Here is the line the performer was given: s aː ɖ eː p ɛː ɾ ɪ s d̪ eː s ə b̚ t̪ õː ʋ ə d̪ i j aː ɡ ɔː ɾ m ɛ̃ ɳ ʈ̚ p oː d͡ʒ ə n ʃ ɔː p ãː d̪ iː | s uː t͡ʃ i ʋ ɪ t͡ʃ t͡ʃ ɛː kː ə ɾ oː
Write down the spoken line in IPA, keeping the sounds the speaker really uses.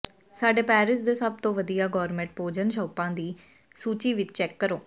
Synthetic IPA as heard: s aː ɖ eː p ɛː ɾ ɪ s d̪ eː s ə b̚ t̪ õː ʋ ə d̪ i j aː ɡ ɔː ɾ m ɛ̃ ɳ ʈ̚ p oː d͡ʒ ə n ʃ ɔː p ãː d̪ iː | s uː t͡ʃ iː ʋ ɪ t͡ʃ t͡ʃ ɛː kː ə ɾ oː